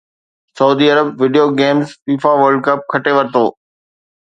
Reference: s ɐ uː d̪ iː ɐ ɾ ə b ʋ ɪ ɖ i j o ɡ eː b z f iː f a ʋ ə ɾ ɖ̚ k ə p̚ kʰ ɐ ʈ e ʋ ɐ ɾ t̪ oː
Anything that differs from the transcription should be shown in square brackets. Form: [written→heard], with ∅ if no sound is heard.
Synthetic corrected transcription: s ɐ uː d̪ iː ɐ ɾ ə b ʋ ɪ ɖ i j o ɡ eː [b→m] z f iː f a ʋ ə ɾ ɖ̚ k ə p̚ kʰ ɐ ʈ e ʋ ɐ ɾ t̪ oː